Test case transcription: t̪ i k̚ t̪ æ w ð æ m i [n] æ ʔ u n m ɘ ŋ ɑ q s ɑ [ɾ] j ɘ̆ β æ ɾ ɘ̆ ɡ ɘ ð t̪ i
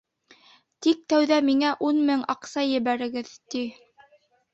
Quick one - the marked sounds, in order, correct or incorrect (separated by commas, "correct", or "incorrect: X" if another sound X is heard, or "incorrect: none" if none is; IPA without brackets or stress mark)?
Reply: incorrect: ŋ, incorrect: none